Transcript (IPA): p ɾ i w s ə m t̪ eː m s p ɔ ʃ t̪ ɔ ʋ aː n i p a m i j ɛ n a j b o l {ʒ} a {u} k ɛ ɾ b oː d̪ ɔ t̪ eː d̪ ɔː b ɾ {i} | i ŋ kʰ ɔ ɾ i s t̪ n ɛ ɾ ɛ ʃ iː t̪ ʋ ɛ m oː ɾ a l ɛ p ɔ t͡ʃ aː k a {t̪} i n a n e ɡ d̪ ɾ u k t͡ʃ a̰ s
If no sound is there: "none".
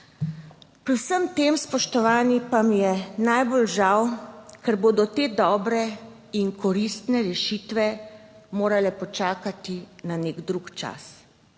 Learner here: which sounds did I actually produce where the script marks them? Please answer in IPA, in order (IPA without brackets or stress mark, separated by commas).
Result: ʒ, w, ɛ, t̪